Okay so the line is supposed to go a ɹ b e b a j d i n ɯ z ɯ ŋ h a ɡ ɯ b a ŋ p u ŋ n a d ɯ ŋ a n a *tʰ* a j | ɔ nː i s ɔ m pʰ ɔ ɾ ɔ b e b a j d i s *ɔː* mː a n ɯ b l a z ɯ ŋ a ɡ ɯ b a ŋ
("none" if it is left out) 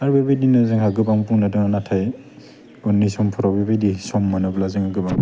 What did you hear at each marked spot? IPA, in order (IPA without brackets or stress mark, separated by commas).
tʰ, ɔ